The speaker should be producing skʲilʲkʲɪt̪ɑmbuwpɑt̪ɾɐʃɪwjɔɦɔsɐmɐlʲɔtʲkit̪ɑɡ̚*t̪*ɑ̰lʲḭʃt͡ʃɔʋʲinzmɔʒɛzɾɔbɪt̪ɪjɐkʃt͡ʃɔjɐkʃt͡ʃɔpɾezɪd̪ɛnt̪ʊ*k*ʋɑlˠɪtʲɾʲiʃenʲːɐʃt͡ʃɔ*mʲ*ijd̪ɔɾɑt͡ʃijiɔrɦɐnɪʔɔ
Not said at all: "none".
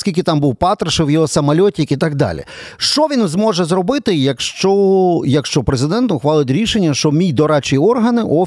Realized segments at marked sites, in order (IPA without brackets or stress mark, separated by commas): d̪, x, mʲ